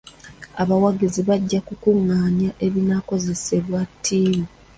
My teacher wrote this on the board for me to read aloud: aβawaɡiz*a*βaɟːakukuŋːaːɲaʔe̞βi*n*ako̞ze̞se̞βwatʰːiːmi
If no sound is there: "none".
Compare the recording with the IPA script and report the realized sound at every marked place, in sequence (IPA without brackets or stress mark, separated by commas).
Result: i, n